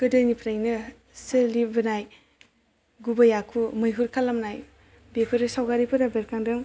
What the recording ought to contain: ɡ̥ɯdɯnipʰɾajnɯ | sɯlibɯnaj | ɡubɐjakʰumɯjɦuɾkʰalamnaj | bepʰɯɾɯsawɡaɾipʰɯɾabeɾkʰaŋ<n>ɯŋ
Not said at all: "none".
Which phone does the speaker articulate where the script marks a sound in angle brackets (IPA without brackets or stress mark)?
d